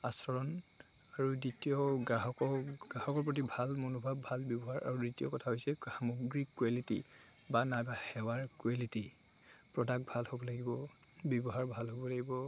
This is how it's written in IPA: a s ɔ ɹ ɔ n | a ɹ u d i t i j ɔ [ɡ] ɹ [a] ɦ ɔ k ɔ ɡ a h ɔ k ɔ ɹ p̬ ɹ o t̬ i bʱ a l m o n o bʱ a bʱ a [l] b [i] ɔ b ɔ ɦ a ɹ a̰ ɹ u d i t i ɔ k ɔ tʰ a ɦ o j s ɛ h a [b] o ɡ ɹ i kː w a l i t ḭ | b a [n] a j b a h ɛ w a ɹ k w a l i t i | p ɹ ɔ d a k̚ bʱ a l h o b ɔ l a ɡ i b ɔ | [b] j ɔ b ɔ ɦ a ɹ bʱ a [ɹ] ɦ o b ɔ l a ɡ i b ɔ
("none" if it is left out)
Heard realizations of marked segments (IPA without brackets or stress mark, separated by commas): ɡ, a, l, j, m, n, b, l